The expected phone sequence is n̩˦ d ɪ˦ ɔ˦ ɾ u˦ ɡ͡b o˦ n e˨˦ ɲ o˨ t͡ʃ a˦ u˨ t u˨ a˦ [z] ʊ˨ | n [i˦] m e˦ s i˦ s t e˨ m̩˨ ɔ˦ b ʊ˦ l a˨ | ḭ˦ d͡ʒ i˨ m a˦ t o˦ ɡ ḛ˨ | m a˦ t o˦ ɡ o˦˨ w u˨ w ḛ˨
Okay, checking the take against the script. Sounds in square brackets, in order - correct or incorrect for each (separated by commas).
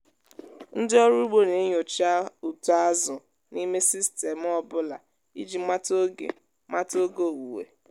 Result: correct, correct